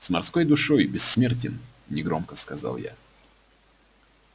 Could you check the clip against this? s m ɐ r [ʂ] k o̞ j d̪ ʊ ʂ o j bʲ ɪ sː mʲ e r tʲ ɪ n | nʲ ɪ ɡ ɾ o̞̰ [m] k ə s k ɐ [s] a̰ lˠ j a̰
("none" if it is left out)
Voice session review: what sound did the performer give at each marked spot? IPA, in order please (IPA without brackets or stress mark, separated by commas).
s, m, z